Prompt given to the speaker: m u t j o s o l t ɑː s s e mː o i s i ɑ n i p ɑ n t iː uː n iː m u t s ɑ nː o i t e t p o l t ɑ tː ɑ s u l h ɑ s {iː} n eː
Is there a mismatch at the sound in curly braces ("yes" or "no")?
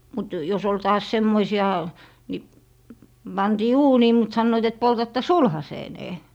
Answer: yes